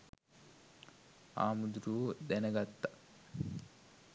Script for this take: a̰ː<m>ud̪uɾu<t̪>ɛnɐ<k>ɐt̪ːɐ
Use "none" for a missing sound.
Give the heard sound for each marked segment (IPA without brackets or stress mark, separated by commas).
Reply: m, d̪, ɡ